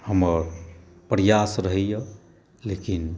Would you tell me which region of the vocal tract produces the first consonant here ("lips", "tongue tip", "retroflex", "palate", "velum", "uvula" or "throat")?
throat